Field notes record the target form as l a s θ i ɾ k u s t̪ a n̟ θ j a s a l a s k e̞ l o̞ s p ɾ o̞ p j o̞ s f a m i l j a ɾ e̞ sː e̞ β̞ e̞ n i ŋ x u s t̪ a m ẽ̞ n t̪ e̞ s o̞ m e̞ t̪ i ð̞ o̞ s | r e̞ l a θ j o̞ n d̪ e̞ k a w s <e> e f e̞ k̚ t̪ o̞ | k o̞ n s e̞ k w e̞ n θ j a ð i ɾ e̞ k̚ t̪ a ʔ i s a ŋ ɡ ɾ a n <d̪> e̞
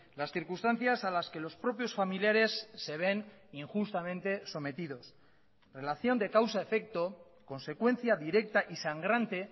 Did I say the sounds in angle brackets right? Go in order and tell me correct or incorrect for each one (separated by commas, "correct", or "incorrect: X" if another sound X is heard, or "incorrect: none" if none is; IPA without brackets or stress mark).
incorrect: a, incorrect: t̪